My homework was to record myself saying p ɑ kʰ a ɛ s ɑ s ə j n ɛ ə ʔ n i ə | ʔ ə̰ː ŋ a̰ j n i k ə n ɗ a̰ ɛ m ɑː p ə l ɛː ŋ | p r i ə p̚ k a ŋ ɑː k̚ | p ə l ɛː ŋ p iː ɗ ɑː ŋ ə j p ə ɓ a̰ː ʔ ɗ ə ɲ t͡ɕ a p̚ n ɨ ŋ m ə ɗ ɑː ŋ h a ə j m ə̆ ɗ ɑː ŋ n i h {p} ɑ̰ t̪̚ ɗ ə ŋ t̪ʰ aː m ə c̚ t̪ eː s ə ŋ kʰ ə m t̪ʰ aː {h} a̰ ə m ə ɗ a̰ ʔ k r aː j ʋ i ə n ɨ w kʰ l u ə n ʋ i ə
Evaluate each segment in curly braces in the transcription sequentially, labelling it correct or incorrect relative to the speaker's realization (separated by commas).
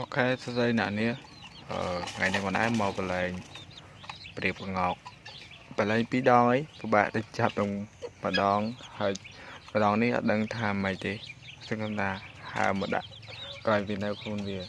incorrect, correct